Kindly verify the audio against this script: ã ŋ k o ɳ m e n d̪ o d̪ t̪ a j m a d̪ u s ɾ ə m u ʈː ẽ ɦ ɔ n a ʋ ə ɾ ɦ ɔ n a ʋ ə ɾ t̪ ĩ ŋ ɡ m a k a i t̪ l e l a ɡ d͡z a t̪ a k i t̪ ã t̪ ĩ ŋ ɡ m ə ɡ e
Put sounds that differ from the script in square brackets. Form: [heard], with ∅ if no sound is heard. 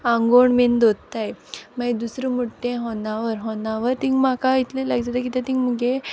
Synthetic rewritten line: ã ŋ [ɡ] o ɳ m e n d̪ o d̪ t̪ a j m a d̪ u s ɾ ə m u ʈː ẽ ɦ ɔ n a ʋ ə ɾ ɦ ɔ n a ʋ ə ɾ t̪ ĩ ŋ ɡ m a k a i t̪ l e l a ɡ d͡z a t̪ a k i t̪ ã t̪ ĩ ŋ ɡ m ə ɡ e

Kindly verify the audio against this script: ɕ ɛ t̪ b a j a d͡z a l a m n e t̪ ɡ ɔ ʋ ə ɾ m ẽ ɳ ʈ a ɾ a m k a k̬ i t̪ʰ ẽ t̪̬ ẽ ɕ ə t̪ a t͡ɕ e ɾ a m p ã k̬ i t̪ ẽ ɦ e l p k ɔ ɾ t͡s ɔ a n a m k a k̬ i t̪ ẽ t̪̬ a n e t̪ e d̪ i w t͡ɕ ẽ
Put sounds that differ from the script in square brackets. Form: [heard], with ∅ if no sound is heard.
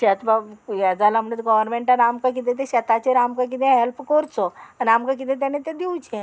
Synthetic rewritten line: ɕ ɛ t̪ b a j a d͡z a l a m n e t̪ ɡ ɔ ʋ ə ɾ m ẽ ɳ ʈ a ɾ a m k a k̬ i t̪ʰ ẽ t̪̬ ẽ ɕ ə t̪ a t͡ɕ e ɾ a m [k] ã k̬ i t̪ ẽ ɦ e l p k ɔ ɾ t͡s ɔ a n a m k a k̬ i t̪ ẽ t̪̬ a n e t̪ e d̪ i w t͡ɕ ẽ

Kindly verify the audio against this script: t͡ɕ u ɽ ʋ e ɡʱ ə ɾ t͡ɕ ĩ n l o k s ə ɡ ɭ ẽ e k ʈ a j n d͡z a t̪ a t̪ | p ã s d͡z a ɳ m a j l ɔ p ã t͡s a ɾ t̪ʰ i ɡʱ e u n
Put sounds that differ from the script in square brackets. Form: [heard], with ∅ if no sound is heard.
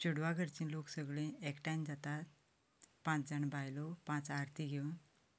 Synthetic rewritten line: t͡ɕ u ɽ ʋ [a] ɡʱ ə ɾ t͡ɕ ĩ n l o k s ə ɡ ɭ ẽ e k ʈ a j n d͡z a t̪ a t̪ | p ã [t͡s] d͡z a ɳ [b] a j l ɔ p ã t͡s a ɾ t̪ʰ i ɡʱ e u n

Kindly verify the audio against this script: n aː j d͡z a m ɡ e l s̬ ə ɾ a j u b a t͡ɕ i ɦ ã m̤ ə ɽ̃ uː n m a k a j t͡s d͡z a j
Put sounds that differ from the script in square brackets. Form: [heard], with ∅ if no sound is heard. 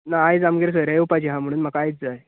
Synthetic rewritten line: n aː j d͡z a m ɡ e [ɾ] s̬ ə ɾ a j u [p] a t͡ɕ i ɦ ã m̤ ə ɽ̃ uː n m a k a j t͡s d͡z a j

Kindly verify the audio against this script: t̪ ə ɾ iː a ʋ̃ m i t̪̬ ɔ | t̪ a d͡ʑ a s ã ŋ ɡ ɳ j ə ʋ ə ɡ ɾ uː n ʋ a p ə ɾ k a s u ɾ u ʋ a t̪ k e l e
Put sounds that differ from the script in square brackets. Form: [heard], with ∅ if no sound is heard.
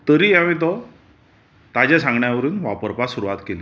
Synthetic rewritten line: t̪ ə ɾ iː a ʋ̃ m i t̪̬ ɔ | t̪ a d͡ʑ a s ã ŋ ɡ ɳ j [a] ʋ ə [∅] ɾ uː n ʋ a p ə ɾ [p] a s u ɾ u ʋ a t̪ k e l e

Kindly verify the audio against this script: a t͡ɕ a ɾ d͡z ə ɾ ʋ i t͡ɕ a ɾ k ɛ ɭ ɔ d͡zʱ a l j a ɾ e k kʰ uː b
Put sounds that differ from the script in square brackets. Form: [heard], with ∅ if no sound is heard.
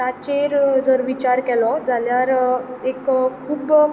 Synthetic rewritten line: a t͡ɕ [e] ɾ d͡z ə ɾ ʋ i t͡ɕ a ɾ k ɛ [l] ɔ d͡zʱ a l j a ɾ e k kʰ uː b

